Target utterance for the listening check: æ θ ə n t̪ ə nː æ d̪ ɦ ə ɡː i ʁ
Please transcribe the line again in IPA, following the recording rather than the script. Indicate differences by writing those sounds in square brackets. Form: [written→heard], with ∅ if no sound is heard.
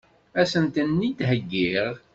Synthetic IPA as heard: æ [θ→s] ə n t̪ ə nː [æ→i] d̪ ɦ ə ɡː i ʁ